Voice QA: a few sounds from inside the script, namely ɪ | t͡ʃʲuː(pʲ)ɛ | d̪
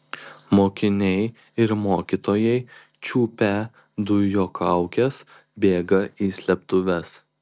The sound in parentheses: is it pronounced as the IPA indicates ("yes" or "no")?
yes